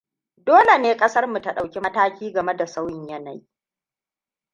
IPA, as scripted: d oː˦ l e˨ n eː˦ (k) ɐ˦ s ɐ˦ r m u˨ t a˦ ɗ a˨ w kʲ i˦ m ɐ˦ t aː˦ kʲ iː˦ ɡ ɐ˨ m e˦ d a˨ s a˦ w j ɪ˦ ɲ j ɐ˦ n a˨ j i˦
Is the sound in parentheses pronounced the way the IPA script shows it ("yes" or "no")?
no